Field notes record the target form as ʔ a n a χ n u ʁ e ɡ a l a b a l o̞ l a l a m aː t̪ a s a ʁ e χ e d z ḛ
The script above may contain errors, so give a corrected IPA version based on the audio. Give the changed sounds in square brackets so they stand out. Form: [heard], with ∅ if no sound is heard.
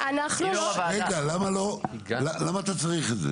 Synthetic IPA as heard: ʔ a n a χ n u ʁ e ɡ a l a [m] a l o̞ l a l a m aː t̪ a [t͡s] a ʁ [i] χ e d z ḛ